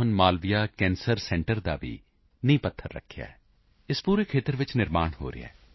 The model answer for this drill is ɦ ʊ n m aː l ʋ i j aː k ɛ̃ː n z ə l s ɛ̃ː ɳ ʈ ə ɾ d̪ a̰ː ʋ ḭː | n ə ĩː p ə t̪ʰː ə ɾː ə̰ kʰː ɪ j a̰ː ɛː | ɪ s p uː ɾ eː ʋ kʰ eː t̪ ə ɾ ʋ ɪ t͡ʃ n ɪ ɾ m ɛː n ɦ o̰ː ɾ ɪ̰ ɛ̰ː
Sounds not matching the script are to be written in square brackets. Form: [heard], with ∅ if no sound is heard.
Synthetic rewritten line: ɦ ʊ n m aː l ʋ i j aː k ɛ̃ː n [s] ə [ɾ] s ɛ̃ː ɳ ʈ ə ɾ d̪ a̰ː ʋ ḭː | n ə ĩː p ə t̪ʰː ə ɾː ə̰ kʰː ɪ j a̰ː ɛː | ɪ s p uː ɾ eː [∅] kʰ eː t̪ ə ɾ ʋ ɪ t͡ʃ n ɪ ɾ m [aː] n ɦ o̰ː ɾ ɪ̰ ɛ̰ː